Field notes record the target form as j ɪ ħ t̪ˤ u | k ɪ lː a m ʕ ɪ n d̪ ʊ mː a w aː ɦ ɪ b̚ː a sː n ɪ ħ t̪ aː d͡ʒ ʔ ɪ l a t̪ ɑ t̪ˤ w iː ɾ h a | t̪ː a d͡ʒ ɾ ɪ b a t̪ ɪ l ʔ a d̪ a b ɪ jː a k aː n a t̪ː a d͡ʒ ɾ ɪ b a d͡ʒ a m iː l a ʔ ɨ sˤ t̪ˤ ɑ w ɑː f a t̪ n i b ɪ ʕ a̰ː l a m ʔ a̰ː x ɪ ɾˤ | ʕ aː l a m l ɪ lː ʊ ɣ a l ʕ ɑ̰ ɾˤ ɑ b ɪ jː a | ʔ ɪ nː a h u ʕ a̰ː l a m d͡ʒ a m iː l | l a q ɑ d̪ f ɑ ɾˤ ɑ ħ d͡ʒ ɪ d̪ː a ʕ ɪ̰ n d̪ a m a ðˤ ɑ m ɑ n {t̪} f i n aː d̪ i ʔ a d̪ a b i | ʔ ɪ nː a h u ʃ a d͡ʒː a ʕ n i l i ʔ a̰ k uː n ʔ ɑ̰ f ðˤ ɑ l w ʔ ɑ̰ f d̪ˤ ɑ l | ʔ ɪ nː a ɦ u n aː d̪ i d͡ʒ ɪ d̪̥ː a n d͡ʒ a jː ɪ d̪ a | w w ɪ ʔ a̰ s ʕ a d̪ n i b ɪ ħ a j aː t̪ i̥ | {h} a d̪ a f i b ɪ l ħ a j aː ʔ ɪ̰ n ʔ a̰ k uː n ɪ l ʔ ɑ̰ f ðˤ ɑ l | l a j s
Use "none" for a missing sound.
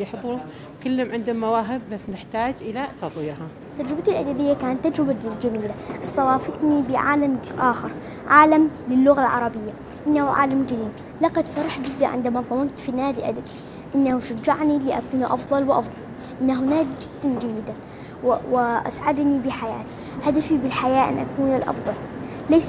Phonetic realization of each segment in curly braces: t̪, h

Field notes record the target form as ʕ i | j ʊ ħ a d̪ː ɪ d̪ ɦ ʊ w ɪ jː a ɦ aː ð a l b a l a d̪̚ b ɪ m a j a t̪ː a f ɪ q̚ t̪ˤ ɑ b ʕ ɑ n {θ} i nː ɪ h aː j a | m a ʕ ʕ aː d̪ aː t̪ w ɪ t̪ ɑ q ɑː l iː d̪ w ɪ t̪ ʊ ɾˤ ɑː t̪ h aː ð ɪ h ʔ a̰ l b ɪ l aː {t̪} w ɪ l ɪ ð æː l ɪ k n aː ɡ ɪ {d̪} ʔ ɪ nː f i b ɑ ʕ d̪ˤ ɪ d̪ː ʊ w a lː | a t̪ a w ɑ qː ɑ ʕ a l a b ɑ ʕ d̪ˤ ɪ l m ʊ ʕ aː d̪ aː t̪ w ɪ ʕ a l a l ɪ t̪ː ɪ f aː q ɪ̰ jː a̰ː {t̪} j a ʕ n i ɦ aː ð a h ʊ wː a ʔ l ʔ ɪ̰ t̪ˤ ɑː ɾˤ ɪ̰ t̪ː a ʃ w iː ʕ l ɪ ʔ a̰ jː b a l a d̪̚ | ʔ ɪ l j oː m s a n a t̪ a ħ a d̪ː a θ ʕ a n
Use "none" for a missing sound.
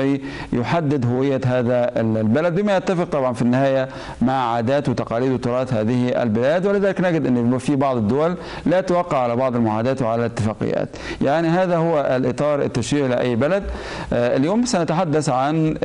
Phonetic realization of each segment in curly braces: f, d̪, d̪, t̪

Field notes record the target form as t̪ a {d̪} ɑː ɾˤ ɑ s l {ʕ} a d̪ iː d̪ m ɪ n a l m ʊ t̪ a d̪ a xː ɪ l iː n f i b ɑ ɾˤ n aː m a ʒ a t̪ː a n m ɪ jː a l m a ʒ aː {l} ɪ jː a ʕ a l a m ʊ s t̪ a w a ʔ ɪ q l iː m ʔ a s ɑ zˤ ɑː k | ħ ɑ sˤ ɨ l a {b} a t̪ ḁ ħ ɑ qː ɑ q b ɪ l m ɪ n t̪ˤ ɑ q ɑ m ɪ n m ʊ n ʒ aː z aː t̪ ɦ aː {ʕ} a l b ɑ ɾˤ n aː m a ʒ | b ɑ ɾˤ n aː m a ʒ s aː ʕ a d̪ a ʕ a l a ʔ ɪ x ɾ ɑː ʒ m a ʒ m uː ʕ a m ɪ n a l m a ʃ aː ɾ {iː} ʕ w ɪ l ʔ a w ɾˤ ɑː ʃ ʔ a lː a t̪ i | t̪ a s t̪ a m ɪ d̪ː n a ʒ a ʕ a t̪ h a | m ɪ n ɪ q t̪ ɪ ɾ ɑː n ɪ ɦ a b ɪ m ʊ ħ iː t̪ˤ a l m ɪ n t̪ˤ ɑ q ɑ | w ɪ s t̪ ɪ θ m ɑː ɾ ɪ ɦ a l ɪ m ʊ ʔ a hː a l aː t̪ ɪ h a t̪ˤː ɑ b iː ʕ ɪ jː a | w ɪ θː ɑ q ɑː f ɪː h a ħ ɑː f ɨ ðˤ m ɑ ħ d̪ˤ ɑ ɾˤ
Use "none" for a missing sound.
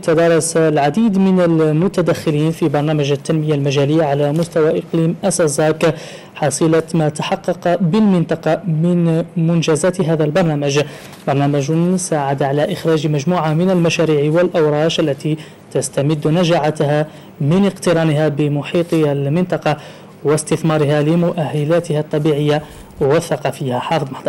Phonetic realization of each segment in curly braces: d̪, ʕ, l, m, ð, iː

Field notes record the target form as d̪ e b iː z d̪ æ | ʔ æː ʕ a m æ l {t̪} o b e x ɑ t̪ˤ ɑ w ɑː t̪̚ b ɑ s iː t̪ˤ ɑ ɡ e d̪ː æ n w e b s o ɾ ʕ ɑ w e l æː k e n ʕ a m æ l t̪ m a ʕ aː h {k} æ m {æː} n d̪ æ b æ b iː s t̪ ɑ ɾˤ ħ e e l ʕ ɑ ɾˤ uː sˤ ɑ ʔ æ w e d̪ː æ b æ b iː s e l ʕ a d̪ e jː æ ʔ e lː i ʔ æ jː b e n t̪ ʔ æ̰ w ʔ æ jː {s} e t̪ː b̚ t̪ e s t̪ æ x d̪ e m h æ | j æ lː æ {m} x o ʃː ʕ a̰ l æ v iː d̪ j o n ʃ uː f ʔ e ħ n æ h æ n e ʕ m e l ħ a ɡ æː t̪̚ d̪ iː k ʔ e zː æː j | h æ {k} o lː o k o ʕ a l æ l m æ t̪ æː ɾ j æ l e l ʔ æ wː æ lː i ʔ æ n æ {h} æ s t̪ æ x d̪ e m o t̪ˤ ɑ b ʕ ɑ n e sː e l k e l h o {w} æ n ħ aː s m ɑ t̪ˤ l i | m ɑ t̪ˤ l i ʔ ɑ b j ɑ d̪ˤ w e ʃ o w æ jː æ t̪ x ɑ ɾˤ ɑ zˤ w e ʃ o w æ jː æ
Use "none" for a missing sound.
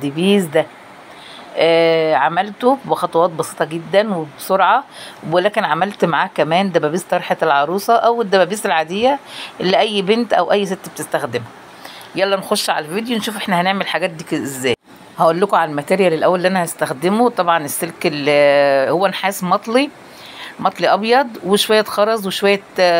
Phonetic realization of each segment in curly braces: t̪, k, æː, s, n, ʔ, h, wː

